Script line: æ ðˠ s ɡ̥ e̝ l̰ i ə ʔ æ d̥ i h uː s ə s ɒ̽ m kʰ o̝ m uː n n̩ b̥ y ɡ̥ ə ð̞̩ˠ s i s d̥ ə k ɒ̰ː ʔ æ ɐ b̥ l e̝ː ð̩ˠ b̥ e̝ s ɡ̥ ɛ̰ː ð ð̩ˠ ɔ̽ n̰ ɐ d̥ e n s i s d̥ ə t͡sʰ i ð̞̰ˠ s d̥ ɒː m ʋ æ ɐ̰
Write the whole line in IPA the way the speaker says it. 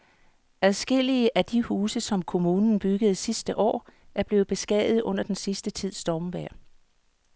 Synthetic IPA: æ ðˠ s ɡ̥ e̝ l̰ i ə ʔ æ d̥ i h uː s ə s ɒ̽ m kʰ o̝ m uː n n̩ b̥ y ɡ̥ ə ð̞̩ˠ s i s d̥ ə ʔ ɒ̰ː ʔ æ ɐ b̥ l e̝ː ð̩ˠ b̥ e̝ s ɡ̥ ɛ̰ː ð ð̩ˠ ɔ̽ n̰ ɐ d̥ e n s i s d̥ ə t͡sʰ i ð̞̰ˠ s d̥ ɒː m ʋ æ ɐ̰